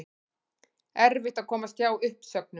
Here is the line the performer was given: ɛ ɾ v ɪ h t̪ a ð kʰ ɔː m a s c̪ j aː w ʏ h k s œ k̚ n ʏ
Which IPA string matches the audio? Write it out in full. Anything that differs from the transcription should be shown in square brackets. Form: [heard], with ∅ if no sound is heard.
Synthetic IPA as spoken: ɛ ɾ v ɪ h t̪ a ð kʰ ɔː m a s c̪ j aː w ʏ h [p] s œ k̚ n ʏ